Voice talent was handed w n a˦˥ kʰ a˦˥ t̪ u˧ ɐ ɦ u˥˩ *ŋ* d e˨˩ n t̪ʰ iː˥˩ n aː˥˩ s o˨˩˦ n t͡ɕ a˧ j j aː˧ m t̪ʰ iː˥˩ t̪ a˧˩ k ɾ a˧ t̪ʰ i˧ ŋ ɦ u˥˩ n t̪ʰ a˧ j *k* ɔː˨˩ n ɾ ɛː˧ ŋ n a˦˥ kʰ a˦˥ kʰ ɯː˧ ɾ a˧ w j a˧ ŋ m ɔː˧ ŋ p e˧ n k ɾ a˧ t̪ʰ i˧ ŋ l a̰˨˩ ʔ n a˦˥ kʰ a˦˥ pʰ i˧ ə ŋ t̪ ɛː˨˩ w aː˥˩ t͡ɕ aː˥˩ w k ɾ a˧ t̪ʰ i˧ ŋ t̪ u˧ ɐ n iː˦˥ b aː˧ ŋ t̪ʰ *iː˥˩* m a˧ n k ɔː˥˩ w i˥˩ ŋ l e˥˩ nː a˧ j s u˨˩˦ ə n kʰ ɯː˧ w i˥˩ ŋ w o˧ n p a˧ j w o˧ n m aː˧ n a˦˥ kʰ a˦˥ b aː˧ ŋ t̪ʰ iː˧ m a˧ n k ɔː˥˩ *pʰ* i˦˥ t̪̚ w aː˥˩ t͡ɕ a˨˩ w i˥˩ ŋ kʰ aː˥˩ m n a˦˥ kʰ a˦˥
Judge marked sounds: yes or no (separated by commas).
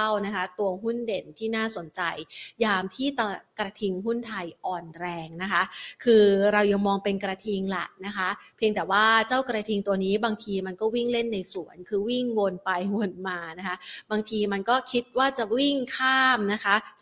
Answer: no, no, no, no